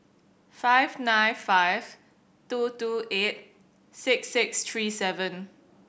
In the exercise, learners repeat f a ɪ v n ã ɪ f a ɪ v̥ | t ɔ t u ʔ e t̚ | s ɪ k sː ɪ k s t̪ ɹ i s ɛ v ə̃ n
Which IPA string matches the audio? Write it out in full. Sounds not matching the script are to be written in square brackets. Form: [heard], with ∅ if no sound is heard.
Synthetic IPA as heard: f a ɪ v n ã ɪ f a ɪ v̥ | t [u] t u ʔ e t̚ | s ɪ k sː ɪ k s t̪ ɹ i s ɛ v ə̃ n